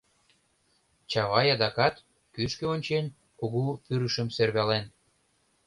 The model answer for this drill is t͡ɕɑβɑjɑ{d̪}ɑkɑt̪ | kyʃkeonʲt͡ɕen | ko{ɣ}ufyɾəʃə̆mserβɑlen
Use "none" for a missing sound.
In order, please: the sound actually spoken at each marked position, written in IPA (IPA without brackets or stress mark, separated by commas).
d̪, ɣ